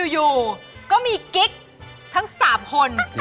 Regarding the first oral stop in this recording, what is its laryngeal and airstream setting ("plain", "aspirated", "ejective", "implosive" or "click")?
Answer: plain